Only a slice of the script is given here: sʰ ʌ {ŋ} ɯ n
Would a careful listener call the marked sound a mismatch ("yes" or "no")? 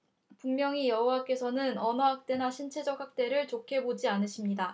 yes